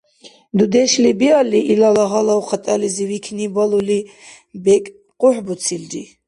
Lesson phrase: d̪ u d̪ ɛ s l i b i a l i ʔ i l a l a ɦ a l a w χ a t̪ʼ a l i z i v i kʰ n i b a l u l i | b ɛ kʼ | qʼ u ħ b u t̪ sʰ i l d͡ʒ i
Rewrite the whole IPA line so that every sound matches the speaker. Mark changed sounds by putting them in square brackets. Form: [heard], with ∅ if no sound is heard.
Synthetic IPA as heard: d̪ u d̪ ɛ [ʃ] l i b i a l i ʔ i l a l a ɦ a l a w χ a t̪ʼ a l i z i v i kʰ n i b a l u l i | b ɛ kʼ | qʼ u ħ b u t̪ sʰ i l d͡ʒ i